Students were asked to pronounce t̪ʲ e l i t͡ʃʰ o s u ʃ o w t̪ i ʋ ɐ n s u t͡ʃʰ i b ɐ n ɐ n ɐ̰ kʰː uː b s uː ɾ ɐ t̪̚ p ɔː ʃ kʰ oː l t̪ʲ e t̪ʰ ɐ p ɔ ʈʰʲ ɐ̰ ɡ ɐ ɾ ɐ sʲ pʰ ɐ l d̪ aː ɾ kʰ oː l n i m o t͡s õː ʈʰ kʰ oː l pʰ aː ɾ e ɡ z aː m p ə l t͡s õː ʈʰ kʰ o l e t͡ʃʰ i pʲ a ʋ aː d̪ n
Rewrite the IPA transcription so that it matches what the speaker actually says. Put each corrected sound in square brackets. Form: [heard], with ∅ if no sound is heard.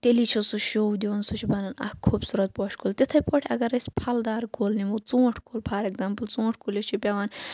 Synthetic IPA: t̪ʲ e l i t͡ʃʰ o s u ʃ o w [d̪] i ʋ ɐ n s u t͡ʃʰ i b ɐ n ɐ n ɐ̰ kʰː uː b s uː ɾ ɐ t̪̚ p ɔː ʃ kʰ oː l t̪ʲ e t̪ʰ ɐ p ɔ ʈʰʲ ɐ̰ ɡ ɐ ɾ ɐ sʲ pʰ ɐ l d̪ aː ɾ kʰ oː l n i m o t͡s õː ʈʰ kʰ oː l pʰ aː ɾ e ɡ z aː m p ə l t͡s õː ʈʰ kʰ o l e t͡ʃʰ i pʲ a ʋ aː [∅] n